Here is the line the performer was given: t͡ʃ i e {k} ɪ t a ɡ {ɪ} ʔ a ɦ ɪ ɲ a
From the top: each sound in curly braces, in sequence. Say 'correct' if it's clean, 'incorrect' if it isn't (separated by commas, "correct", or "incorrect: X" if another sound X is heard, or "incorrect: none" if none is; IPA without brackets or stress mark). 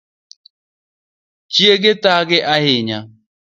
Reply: incorrect: ɡ, correct